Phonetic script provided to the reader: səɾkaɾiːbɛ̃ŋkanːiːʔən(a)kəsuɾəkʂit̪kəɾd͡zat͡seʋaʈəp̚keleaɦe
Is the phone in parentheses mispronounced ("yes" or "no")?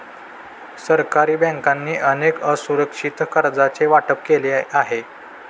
yes